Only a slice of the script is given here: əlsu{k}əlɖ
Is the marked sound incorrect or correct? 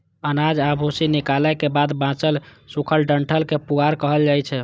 incorrect